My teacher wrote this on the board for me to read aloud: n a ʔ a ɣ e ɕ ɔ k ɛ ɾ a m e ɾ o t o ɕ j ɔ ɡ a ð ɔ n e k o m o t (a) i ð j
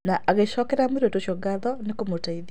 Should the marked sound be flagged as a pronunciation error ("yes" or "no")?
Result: no